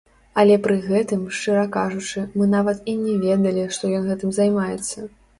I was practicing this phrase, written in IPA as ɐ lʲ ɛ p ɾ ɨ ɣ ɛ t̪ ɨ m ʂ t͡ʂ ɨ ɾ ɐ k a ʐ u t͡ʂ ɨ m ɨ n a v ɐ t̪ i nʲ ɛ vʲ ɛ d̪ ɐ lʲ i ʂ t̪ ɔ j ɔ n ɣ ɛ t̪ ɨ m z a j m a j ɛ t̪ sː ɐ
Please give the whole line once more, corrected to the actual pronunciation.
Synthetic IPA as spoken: ɐ lʲ ɛ p ɾ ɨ ɣ ɛ t̪ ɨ m ʂ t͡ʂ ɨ ɾ ɐ k a ʐ u t͡ʂ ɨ m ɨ n a v ɐ t̪ i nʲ ɛ vʲ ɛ d̪ ɐ lʲ i ʂ t̪ ɔ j ɔ n ɣ ɛ t̪ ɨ m z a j m a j ɛ t̪ sː ɐ